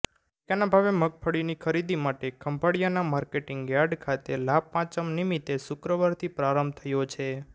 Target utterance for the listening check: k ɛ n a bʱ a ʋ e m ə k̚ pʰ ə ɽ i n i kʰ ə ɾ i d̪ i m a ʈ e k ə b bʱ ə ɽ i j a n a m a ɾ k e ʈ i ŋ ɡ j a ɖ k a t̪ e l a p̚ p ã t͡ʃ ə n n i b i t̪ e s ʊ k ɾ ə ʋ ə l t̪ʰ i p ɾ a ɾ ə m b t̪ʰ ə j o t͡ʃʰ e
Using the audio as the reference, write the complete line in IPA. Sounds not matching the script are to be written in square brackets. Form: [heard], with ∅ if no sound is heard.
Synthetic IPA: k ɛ n a bʱ a ʋ e m ə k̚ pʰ ə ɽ i n i kʰ ə ɾ i d̪ i m a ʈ e k ə [m] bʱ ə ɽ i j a n a m a ɾ k e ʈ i ŋ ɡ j a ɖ [kʰ] a t̪ e l a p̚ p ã t͡ʃ ə [m] n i [m] i t̪ e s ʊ k ɾ ə ʋ ə [ɾ] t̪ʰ i p ɾ a ɾ ə m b t̪ʰ ə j o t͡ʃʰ e